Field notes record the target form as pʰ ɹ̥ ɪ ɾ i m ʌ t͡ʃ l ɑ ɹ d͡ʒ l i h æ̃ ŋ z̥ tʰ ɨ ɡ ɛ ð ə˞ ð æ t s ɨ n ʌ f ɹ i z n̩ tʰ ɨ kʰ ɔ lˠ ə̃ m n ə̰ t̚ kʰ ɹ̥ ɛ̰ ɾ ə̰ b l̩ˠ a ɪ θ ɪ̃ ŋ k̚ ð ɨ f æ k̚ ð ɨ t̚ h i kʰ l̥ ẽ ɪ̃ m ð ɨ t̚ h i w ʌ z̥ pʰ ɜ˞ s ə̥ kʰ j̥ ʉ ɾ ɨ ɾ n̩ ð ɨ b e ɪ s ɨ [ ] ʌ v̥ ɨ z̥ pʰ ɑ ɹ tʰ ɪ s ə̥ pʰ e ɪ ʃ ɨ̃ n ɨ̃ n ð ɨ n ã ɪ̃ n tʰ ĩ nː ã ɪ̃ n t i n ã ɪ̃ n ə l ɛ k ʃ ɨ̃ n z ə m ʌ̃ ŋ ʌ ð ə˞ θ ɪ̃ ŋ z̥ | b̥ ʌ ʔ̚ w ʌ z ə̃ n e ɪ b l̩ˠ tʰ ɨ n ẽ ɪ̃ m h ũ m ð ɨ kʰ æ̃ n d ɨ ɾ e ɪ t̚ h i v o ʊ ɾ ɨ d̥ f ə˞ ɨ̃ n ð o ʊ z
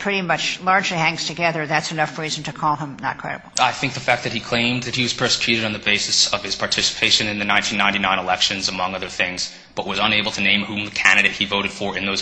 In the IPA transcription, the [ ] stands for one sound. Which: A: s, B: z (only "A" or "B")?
A